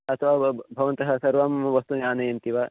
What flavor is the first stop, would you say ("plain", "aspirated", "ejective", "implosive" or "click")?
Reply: aspirated